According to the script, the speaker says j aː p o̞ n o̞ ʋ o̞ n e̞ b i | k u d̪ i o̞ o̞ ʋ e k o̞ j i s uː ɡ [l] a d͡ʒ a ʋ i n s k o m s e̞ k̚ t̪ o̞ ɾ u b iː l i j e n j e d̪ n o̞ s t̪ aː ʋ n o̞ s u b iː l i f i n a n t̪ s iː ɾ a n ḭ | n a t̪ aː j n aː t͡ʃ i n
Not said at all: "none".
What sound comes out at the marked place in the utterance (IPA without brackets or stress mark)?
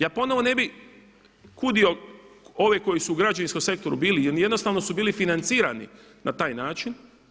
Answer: ɾ